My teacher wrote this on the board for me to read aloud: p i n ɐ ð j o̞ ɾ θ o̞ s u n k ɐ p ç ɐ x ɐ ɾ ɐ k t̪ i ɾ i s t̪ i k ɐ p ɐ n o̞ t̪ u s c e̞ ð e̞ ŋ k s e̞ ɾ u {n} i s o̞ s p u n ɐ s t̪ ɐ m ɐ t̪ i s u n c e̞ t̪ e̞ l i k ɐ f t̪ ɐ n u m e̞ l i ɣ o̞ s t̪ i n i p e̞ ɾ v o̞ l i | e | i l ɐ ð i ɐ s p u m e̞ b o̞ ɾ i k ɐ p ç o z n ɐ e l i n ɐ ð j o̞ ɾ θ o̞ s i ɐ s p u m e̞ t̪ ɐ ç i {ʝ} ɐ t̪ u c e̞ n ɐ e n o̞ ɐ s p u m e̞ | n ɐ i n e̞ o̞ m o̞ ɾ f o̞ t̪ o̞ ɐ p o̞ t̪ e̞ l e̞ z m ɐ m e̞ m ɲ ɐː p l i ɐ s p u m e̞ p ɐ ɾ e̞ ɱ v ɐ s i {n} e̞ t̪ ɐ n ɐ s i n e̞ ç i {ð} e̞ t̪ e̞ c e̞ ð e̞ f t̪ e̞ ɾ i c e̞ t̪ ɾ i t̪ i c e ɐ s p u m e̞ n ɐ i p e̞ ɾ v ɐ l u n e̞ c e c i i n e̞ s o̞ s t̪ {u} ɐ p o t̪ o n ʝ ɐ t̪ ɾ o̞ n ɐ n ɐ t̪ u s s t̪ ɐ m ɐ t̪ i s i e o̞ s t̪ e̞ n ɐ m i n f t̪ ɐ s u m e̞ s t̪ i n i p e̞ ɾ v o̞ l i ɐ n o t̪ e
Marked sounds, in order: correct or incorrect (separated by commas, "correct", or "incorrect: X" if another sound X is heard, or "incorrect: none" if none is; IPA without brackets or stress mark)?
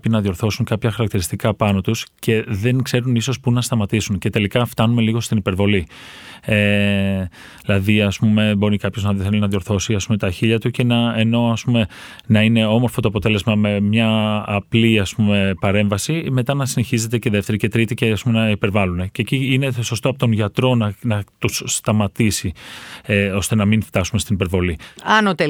correct, incorrect: ʎ, incorrect: m, incorrect: z, incorrect: o